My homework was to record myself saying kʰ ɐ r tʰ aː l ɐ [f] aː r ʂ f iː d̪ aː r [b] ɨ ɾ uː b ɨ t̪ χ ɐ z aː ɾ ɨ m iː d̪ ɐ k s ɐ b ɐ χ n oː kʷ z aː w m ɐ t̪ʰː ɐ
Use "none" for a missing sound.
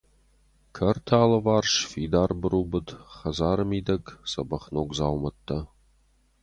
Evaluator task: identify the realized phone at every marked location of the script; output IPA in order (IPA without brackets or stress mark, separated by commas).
v, b